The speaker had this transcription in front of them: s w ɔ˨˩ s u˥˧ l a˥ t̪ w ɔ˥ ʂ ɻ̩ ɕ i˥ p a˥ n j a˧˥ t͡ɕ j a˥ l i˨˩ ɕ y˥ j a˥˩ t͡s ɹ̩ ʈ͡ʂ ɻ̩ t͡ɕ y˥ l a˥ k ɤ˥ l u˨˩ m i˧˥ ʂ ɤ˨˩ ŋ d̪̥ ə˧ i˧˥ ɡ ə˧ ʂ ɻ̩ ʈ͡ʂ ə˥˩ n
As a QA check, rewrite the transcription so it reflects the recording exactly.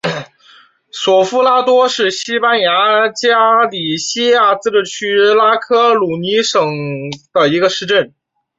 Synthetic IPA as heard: s w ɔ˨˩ f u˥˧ l a˥ t̪ w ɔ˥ ʂ ɻ̩ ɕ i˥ p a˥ n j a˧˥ t͡ɕ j a˥ l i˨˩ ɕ i˥ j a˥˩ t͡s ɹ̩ ʈ͡ʂ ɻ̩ t͡ɕʰ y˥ l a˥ kʰ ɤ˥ l u˨˩ n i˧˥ ʂ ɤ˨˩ ŋ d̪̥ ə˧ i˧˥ ɡ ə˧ ʂ ɻ̩ ʈ͡ʂ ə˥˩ n

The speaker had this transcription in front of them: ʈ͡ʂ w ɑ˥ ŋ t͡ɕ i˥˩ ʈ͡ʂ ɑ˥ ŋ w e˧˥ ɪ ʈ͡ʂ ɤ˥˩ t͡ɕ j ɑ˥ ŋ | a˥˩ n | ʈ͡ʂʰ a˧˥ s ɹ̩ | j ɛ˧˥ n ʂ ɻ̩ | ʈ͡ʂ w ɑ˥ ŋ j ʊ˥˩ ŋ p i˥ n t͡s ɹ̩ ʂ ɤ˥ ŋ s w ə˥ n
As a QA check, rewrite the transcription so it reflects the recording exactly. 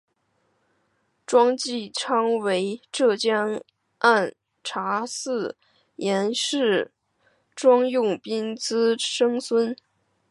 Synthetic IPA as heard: ʈ͡ʂ w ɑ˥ ŋ t͡ɕ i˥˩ ʈ͡ʂʰ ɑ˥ ŋ w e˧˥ ɪ ʈ͡ʂ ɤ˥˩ t͡ɕ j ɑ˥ ŋ | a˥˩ n | ʈ͡ʂʰ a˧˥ s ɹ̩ | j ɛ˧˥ n ʂ ɻ̩ | ʈ͡ʂ w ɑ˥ ŋ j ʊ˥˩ ŋ p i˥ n t͡s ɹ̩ ʂ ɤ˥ ŋ s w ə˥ n

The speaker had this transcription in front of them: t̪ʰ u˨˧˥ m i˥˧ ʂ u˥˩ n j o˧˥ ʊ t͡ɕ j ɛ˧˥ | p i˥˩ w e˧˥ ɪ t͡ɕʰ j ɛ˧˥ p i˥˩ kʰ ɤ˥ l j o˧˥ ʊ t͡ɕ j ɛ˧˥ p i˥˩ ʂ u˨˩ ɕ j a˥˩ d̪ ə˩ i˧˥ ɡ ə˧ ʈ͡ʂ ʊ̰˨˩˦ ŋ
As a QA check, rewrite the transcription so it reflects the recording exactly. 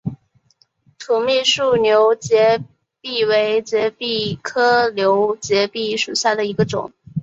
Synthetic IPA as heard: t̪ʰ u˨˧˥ m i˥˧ ʂ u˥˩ n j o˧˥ ʊ t͡ɕ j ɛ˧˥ | p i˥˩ w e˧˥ ɪ t͡ɕ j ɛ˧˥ p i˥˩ kʰ ɤ˥ l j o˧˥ ʊ t͡ɕ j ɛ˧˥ p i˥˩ ʂ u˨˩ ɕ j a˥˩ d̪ ə˩ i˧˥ ɡ ə˧ ʈ͡ʂ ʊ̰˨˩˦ ŋ

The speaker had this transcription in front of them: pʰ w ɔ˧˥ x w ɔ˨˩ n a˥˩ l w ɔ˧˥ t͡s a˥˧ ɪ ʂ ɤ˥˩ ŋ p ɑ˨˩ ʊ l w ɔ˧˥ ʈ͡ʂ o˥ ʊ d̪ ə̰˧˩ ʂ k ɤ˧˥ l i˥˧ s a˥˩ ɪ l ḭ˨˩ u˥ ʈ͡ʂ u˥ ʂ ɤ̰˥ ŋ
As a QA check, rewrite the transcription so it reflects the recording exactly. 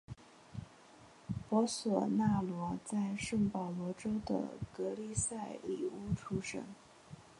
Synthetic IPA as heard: p w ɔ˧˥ s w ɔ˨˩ n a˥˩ l w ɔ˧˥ t͡s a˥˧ ɪ ʂ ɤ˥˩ ŋ p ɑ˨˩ ʊ l w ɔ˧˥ ʈ͡ʂ o˥ ʊ d̪ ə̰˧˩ k ɤ˧˥ l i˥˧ s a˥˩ ɪ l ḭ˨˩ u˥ ʈ͡ʂʰ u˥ ʂ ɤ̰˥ ŋ

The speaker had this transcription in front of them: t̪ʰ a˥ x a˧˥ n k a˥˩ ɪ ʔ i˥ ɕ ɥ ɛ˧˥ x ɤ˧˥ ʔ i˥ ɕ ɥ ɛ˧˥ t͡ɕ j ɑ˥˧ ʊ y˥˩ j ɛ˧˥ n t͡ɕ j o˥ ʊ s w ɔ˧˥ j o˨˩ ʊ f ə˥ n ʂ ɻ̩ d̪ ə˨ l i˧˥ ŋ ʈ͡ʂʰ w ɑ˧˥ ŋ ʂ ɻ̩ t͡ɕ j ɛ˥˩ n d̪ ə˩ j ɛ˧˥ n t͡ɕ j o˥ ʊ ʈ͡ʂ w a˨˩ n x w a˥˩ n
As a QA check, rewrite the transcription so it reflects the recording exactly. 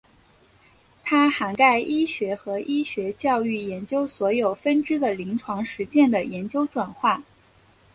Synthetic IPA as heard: t̪ʰ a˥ x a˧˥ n k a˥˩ ɪ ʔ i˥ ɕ ɥ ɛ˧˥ x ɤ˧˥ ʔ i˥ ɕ ɥ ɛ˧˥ t͡ɕ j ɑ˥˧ ʊ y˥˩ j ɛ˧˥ n t͡ɕ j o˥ ʊ s w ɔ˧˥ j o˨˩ ʊ f ə˥ n ʈ͡ʂ ɻ̩ d̪ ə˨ l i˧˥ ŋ ʈ͡ʂʰ w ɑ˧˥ ŋ ʂ ɻ̩ t͡ɕ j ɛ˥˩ n d̪ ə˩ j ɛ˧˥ n t͡ɕ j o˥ ʊ ʈ͡ʂ w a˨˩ n x w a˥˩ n

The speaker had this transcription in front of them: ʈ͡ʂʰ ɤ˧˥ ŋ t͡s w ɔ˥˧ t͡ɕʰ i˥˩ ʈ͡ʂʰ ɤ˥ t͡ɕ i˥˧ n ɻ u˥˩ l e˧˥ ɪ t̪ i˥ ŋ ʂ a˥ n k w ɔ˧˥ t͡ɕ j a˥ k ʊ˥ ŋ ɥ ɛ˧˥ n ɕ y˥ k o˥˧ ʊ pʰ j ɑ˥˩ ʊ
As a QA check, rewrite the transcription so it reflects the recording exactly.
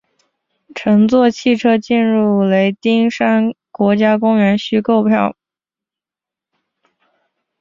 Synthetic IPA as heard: ʈ͡ʂʰ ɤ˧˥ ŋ t͡s w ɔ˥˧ t͡ɕʰ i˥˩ ʈ͡ʂʰ ɤ˥ t͡ɕ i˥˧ n ɻ u˥˩ l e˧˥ ɪ t̪ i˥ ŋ ʂ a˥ n k w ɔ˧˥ t͡ɕ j a˥ k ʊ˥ ŋ ɥ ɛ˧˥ n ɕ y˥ k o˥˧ ʊ pʰ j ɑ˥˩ ʊ

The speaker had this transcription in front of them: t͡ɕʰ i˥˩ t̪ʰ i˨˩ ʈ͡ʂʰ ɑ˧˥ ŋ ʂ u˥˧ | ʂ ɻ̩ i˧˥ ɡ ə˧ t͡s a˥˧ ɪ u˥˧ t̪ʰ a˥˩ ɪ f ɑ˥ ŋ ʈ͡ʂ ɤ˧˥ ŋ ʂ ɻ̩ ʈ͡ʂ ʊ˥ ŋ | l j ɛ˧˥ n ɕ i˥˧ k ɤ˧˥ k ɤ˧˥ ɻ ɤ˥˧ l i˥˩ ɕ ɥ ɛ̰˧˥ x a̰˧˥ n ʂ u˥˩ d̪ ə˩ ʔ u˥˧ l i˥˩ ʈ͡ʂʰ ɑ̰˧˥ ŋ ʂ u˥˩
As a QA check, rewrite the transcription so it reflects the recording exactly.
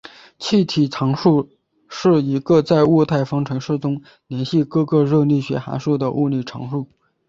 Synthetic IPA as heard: t͡ɕʰ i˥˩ t̪ʰ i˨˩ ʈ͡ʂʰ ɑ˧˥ ŋ ʂ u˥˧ | ʂ ɻ̩ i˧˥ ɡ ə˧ t͡s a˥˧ ɪ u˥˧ t̪ʰ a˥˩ ɪ f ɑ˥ ŋ ʈ͡ʂʰ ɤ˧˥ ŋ ʂ ɻ̩ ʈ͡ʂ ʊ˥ ŋ | l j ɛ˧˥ n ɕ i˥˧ k ɤ˥˧ k ɤ˥˧ ɻ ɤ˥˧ l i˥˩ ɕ ɥ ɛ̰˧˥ x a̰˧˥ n ʂ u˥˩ d̪ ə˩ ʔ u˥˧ l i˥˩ ʈ͡ʂʰ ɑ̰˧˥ ŋ ʂ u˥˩

